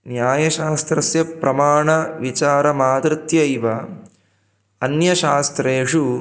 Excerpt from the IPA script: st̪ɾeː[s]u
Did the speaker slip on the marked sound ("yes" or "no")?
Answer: yes